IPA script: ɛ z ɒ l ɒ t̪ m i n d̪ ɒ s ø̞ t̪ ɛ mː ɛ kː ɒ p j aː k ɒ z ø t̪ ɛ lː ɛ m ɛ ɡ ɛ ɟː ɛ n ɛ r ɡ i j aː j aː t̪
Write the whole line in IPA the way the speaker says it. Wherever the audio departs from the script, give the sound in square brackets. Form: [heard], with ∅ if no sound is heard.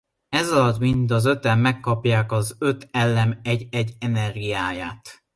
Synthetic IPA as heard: ɛ z ɒ l ɒ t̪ m i n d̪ ɒ [z] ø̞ t̪ ɛ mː ɛ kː ɒ p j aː k ɒ z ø t̪ ɛ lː ɛ m ɛ [ɟ] ɛ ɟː ɛ n ɛ r ɡ i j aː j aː t̪